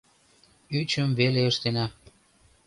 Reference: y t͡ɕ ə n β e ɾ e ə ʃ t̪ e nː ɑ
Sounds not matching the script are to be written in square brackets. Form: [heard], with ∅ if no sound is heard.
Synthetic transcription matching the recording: y t͡ɕ ə [m] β e [l] e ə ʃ t̪ e [n] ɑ